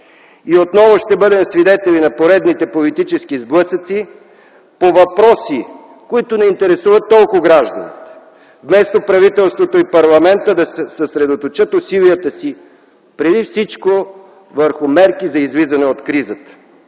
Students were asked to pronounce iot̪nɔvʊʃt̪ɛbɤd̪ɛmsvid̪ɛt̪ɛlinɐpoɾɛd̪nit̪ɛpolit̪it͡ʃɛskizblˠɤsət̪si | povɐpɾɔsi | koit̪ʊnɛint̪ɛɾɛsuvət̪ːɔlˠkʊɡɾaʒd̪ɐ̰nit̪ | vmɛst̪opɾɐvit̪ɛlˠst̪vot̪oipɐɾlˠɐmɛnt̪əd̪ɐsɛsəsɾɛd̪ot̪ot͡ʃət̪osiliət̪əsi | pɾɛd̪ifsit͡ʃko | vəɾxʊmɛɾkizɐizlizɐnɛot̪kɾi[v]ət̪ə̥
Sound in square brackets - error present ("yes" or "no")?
yes